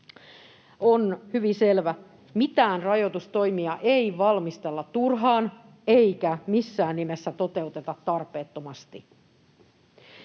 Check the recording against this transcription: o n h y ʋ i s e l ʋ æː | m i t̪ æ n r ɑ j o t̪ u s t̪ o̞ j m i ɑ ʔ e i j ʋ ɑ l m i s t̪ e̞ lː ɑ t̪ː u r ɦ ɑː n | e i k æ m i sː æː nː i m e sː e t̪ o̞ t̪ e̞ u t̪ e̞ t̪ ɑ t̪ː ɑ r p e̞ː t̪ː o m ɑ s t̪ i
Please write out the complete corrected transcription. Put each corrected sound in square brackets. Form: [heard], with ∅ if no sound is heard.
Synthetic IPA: o n h y ʋ i s e l ʋ [æ] | m i t̪ [æː] n r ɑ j o t̪ u s t̪ o̞ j m i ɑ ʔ e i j ʋ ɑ l m i s t̪ e̞ lː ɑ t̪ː u r ɦ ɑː n | e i k æ m i sː æː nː i m e sː [æ] t̪ o̞ t̪ e̞ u t̪ e̞ t̪ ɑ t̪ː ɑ r p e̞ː t̪ː o m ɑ s t̪ i